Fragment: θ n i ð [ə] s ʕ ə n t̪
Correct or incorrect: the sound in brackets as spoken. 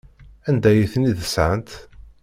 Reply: correct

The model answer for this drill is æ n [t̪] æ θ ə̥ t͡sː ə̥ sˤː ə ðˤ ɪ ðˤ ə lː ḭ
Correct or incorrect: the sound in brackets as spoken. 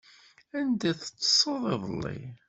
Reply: incorrect: d̪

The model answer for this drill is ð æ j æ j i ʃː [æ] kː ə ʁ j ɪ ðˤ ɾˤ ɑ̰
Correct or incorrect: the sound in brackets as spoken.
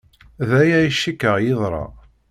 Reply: incorrect: i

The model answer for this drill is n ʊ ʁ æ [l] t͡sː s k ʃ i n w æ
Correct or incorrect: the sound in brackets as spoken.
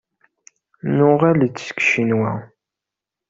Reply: correct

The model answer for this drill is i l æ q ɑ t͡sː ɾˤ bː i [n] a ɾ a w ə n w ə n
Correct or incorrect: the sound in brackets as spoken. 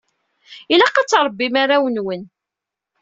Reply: incorrect: m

